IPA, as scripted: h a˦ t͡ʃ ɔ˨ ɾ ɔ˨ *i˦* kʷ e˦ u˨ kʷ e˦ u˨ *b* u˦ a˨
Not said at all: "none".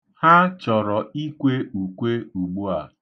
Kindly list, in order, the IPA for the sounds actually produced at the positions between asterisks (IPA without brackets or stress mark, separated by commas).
i˦, ɡ͡b